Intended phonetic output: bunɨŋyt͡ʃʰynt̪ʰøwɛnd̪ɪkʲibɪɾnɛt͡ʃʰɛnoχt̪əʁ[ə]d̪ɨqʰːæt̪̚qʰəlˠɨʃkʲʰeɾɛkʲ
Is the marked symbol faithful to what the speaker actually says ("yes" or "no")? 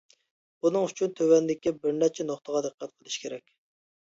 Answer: no